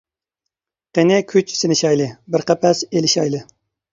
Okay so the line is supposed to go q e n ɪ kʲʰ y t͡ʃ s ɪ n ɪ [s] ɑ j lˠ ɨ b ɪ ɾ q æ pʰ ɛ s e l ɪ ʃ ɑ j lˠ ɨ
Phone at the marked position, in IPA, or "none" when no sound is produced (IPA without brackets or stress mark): ʃ